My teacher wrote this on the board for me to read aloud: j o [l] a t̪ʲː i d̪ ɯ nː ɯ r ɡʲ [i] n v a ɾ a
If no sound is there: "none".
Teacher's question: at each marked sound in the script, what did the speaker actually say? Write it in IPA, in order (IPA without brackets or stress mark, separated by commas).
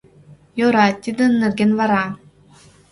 ɾ, e